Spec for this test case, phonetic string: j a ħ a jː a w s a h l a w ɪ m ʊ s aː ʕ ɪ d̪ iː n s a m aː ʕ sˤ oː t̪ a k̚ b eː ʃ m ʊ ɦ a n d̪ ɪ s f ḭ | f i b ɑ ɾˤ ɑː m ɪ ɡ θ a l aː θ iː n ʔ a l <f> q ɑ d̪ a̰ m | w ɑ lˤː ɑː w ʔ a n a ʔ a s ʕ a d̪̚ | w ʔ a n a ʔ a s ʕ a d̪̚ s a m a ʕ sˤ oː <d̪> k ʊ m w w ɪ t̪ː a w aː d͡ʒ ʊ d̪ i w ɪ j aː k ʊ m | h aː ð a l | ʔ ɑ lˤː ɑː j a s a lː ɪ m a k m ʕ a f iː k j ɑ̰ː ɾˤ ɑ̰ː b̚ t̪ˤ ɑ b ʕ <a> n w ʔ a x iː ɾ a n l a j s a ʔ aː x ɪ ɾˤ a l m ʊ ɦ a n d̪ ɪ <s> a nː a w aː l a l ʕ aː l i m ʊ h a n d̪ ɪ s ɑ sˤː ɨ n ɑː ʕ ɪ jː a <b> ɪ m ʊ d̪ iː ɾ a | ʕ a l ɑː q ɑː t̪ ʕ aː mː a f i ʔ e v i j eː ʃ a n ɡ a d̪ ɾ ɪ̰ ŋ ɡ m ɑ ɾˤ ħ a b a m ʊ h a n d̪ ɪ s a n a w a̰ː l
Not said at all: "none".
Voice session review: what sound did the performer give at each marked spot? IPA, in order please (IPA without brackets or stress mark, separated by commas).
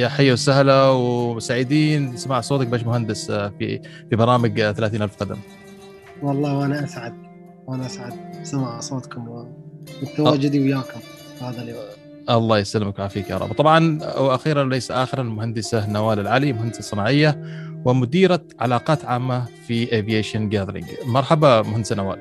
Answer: f, t̪, ɑ, s, w